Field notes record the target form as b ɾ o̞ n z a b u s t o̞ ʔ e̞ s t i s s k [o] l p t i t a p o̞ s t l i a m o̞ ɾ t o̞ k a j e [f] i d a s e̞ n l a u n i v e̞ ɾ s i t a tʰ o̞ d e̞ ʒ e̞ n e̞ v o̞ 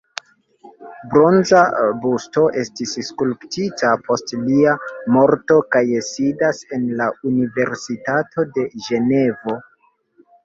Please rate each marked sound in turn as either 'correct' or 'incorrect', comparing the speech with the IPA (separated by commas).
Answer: incorrect, incorrect